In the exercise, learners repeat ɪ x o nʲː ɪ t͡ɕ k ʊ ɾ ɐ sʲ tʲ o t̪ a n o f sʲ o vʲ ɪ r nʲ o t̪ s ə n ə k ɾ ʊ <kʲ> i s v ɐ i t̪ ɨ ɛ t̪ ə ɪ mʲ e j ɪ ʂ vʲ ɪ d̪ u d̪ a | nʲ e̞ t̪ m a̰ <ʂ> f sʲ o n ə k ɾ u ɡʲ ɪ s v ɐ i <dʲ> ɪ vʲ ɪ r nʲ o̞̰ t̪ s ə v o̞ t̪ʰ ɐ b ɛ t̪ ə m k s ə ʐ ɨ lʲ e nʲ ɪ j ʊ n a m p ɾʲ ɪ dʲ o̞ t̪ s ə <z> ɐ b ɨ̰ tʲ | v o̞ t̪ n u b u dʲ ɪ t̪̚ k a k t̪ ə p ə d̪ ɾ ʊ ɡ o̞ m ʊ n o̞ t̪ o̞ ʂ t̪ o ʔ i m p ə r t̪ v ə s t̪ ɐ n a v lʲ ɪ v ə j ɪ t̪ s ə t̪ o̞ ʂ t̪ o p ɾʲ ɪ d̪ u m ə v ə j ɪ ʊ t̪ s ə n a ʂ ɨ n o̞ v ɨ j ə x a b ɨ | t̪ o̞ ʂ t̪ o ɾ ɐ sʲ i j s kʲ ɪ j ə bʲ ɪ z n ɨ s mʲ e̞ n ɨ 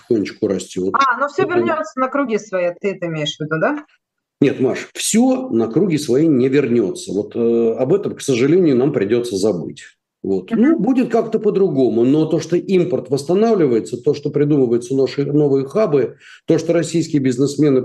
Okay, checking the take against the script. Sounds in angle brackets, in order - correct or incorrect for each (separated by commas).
incorrect, correct, incorrect, correct